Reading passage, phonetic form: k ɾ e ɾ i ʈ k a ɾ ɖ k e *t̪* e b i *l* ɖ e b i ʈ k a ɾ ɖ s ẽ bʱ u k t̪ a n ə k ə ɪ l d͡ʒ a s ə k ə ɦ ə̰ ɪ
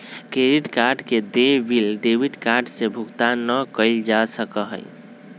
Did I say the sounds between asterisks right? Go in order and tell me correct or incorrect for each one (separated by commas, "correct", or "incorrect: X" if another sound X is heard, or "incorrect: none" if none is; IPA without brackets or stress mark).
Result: incorrect: d̪, correct